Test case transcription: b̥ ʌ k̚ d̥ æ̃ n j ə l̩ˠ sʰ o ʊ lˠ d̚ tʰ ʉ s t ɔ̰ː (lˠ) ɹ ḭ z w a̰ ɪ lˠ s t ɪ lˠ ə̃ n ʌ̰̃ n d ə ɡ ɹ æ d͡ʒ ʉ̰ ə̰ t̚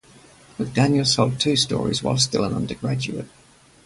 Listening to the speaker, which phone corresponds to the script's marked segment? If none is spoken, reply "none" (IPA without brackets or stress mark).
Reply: none